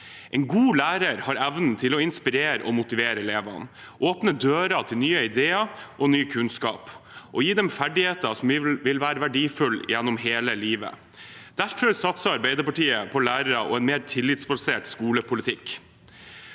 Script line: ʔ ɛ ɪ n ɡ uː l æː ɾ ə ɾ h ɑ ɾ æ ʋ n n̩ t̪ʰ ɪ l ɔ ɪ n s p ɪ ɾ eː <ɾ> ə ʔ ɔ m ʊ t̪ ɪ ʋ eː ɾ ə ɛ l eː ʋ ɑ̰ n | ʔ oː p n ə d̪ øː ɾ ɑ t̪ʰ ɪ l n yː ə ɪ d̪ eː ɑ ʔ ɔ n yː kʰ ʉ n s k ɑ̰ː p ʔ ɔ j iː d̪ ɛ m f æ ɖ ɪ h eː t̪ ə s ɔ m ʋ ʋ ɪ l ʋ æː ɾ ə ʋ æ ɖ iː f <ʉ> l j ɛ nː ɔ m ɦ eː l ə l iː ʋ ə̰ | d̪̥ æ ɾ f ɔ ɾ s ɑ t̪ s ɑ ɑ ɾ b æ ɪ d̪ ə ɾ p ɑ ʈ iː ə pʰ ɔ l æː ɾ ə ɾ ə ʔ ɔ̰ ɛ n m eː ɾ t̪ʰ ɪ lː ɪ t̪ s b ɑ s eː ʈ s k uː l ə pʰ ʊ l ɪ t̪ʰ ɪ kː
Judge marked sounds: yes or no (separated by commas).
yes, yes